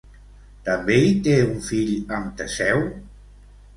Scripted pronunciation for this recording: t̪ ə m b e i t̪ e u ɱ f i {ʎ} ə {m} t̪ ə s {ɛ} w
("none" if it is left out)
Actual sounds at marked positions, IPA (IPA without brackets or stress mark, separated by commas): ʎ, m, ɛ